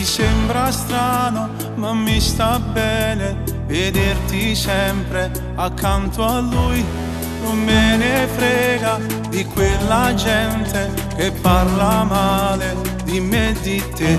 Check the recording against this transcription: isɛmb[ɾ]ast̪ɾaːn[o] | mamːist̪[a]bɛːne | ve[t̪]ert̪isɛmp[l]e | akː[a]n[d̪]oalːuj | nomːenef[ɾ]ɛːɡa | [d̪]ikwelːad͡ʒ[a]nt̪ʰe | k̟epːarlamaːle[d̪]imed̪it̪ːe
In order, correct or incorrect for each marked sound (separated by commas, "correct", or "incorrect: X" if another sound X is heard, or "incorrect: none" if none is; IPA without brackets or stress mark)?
correct, correct, correct, incorrect: d̪, incorrect: ɾ, correct, incorrect: t̪, correct, correct, incorrect: ɛ, correct